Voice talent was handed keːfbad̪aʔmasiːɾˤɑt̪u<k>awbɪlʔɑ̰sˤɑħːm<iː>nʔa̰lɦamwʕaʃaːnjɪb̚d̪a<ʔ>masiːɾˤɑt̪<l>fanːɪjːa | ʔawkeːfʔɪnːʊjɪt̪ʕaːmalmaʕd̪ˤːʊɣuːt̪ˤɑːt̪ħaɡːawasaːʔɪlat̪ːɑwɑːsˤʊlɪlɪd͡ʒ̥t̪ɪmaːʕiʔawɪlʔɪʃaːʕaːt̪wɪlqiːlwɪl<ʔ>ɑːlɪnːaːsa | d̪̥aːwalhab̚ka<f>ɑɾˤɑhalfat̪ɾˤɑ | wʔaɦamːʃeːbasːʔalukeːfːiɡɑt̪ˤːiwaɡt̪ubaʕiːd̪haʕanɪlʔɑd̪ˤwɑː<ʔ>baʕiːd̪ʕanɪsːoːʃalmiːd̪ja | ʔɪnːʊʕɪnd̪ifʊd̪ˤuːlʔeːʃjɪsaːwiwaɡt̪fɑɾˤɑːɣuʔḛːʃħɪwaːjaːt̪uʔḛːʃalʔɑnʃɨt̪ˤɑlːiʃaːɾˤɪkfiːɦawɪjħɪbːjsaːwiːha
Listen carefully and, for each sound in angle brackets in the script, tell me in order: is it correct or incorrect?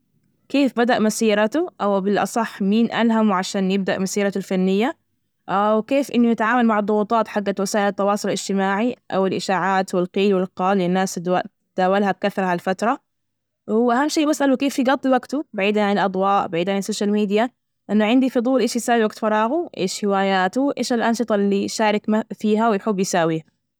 incorrect, correct, correct, correct, incorrect, incorrect, correct

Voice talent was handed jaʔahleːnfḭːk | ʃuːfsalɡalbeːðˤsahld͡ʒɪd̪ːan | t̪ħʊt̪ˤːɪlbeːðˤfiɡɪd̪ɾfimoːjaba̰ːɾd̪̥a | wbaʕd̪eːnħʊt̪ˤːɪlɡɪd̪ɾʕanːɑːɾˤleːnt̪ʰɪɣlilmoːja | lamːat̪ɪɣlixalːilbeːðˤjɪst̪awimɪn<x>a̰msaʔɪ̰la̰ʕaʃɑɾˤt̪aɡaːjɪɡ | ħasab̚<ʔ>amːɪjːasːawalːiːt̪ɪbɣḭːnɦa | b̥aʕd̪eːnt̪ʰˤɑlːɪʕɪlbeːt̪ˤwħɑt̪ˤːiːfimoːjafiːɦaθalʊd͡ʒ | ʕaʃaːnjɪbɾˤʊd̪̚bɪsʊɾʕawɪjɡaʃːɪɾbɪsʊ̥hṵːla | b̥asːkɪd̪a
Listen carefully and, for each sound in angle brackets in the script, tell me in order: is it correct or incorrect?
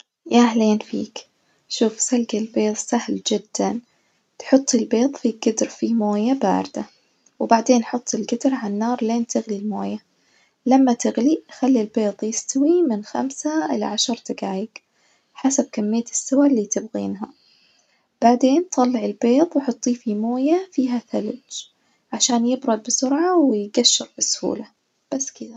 correct, incorrect

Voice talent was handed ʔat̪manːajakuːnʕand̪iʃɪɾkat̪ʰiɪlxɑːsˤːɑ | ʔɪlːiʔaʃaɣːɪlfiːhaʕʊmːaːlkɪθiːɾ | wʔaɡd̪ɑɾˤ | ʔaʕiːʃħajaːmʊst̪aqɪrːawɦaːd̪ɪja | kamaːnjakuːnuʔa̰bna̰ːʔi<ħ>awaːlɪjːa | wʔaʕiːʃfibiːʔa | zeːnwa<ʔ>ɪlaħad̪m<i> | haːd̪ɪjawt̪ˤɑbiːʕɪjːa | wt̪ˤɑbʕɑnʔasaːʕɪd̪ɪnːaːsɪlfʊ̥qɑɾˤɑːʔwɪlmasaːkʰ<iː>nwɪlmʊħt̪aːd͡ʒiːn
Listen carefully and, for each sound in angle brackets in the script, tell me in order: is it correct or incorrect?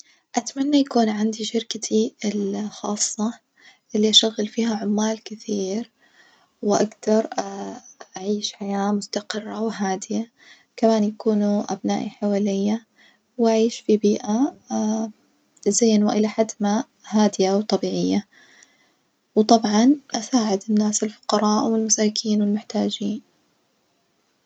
correct, correct, incorrect, correct

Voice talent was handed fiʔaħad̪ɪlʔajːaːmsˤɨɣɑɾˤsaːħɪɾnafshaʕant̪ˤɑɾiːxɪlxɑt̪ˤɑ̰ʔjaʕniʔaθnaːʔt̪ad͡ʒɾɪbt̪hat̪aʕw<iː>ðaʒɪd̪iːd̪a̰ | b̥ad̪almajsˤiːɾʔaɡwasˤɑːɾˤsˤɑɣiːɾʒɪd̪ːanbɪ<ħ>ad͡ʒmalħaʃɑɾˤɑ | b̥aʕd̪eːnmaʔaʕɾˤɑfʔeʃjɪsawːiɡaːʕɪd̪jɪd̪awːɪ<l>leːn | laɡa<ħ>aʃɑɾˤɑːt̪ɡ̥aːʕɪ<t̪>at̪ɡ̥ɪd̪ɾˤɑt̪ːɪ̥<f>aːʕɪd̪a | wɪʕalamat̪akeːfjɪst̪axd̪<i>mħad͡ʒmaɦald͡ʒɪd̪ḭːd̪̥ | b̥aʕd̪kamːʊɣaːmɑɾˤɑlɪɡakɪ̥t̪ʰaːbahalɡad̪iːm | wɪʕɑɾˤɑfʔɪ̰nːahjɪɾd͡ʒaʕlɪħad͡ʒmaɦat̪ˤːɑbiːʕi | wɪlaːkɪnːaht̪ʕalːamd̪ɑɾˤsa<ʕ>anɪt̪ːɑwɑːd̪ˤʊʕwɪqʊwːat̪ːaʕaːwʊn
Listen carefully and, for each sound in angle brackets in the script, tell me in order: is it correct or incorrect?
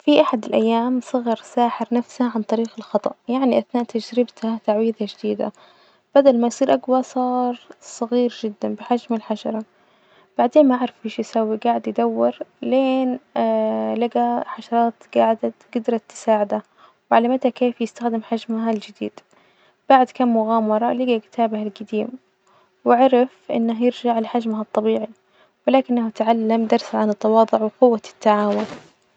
correct, correct, incorrect, correct, incorrect, incorrect, incorrect, correct

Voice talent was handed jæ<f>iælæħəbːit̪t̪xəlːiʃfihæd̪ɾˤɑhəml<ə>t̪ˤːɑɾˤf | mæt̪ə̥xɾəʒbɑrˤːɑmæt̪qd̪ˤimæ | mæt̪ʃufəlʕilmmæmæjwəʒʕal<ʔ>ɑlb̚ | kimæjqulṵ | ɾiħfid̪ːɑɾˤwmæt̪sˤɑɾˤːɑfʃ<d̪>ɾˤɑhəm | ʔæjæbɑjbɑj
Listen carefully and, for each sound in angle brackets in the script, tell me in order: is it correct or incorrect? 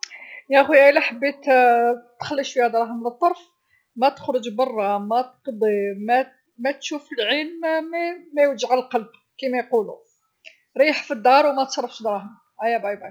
incorrect, correct, incorrect, correct

